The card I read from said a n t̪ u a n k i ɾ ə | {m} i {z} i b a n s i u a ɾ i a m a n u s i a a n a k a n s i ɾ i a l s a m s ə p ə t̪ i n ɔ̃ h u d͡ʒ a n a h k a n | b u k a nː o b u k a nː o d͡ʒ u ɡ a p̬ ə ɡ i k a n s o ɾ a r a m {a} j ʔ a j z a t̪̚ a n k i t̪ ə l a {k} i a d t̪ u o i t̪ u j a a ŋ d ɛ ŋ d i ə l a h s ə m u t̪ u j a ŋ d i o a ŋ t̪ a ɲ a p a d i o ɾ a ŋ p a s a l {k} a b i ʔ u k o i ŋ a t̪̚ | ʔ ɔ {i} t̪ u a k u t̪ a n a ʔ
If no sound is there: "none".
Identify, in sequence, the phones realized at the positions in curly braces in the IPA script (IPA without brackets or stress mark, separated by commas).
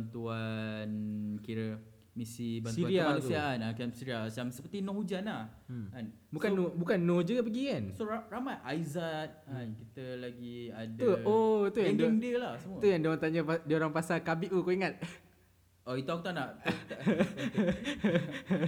m, s, a, ɡ, k, i